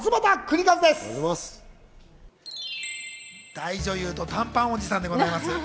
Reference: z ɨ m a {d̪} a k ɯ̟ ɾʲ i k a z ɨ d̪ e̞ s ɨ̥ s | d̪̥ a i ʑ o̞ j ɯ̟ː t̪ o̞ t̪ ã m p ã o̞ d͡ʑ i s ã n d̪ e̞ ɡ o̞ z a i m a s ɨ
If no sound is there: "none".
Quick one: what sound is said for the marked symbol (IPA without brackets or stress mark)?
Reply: t̪